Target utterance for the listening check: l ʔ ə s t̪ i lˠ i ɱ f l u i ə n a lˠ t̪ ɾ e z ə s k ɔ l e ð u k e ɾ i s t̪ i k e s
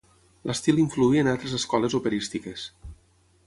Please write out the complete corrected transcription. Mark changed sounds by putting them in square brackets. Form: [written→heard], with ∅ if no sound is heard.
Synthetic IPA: l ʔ ə s t̪ i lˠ i ɱ f l u i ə n a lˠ t̪ ɾ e z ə s k ɔ l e [ð→z] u [k→p] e ɾ i s t̪ i k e s